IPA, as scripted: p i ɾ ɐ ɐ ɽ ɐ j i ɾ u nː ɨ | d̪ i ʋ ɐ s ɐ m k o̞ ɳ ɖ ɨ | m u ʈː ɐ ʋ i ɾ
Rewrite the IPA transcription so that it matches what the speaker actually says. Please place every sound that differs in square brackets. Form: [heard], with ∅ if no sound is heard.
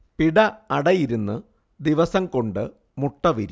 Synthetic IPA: p i [ɽ] ɐ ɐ ɽ ɐ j i ɾ u nː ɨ | d̪ i ʋ ɐ s ɐ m k o̞ ɳ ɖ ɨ | m u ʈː ɐ ʋ i ɾ